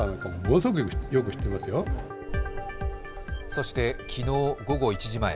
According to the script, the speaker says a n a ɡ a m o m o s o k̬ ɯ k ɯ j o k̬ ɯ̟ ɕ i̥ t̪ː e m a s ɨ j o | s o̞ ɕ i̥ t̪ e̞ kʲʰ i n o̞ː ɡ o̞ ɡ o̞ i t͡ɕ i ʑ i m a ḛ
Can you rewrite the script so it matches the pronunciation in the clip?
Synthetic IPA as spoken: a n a k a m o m o s o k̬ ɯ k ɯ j o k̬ ɯ̟ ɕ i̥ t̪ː e m a s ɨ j o | s o̞ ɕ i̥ t̪ e̞ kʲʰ i n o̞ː ɡ o̞ ɡ o̞ i t͡ɕ i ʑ i m a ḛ